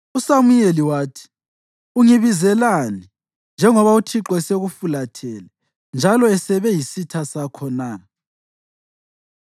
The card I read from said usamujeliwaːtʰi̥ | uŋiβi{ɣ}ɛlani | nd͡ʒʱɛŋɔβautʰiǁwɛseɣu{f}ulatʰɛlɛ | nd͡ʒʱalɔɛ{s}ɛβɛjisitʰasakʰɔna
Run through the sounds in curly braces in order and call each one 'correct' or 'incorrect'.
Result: incorrect, correct, correct

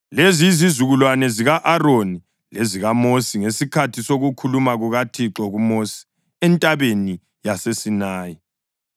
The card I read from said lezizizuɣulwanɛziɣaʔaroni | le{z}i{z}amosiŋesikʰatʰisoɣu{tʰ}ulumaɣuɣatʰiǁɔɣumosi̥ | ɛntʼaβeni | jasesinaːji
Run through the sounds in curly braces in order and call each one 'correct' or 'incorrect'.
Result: correct, incorrect, incorrect

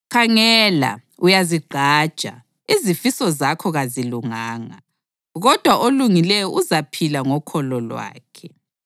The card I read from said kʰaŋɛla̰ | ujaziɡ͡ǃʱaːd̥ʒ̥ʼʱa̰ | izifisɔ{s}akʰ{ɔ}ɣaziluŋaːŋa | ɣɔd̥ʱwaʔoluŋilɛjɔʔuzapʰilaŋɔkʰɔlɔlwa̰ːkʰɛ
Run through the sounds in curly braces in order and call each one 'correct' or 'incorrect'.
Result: incorrect, correct

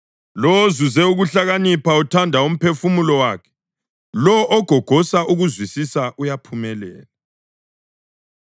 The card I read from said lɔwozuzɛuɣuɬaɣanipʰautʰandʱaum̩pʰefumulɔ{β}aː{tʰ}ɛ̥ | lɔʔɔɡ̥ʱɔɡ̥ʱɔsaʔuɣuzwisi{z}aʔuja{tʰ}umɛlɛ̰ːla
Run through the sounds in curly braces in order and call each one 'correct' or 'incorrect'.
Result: incorrect, incorrect, incorrect, incorrect

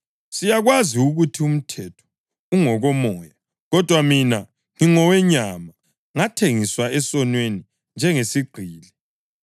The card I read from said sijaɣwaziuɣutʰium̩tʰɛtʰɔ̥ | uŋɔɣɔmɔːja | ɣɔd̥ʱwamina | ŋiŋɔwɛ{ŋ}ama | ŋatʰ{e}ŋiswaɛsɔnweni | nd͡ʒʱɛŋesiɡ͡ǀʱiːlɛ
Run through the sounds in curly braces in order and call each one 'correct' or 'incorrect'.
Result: incorrect, correct

